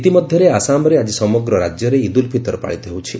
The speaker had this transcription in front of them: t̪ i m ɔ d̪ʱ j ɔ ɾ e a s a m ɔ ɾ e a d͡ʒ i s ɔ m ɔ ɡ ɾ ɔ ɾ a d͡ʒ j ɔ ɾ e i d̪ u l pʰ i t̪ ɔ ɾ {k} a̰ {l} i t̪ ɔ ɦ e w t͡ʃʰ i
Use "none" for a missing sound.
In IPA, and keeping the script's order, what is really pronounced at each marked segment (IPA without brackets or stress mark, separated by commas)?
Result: p, ɭ